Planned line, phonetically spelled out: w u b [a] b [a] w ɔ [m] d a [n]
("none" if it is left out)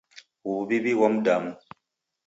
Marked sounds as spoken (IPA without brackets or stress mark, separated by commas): i, i, m, m